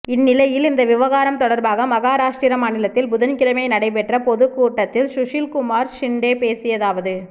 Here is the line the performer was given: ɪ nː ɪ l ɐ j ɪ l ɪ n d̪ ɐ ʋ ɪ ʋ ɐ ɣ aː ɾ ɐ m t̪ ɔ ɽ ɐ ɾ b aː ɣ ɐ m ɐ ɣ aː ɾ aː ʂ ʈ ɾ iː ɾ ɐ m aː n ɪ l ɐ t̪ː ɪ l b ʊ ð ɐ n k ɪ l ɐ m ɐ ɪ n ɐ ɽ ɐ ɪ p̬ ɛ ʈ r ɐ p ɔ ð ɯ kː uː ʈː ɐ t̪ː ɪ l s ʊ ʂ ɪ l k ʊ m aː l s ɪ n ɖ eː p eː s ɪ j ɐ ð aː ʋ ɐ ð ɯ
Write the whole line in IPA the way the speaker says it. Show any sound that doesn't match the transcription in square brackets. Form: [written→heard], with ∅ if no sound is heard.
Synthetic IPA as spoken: ɪ nː ɪ l ɐ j ɪ l ɪ n d̪ ɐ ʋ ɪ ʋ ɐ ɣ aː ɾ ɐ m t̪ ɔ ɽ ɐ ɾ b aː ɣ ɐ m ɐ ɣ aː ɾ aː ʂ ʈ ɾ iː ɾ ɐ m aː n ɪ l ɐ t̪ː ɪ l b ʊ ð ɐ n k ɪ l ɐ m ɐ ɪ n ɐ ɽ ɐ ɪ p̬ ɛ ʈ r ɐ p ɔ ð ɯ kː uː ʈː ɐ t̪ː ɪ l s ʊ ʂ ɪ l k ʊ m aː [l→ɾ] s ɪ [n→ɳ] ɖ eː p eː s ɪ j ɐ ð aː ʋ ɐ ð ɯ